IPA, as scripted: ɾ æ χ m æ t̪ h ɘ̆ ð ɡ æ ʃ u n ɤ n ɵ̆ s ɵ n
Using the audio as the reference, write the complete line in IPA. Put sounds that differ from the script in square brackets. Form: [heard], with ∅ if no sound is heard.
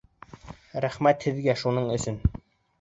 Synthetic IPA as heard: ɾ æ χ m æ t̪ h ɘ̆ ð ɡ æ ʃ u n ɤ [ɴ] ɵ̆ s ɵ n